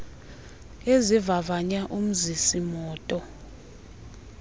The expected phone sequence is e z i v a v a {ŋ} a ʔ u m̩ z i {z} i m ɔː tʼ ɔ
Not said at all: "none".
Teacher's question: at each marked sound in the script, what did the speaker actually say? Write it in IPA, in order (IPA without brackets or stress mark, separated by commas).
ɲ, s